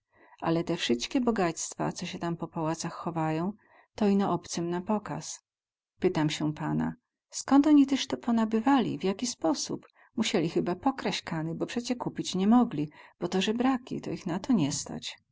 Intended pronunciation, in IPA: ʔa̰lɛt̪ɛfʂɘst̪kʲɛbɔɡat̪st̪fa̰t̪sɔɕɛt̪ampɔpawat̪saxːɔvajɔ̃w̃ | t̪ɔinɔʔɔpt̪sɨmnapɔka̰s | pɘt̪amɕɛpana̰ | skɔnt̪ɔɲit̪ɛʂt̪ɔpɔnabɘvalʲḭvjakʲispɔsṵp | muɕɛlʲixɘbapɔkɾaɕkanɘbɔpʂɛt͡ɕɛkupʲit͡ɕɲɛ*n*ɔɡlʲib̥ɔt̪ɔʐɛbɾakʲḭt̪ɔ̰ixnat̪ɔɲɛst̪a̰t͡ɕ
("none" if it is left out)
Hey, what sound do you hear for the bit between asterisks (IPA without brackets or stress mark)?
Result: m